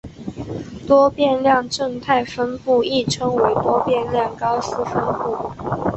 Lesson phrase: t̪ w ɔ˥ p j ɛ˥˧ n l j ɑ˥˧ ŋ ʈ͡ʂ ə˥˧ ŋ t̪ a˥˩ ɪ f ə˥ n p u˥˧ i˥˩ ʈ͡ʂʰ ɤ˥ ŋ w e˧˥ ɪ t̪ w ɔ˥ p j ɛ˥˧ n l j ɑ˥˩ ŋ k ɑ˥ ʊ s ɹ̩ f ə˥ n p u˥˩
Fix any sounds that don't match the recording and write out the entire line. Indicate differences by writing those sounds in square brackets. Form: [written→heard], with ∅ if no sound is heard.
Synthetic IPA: t̪ w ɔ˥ p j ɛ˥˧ n l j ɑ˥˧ ŋ ʈ͡ʂ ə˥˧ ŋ [t̪→t̪ʰ] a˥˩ ɪ f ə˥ n p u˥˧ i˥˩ ʈ͡ʂʰ ɤ˥ ŋ w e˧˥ ɪ t̪ w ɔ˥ p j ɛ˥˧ n l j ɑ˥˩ ŋ k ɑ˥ ʊ s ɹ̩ f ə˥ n p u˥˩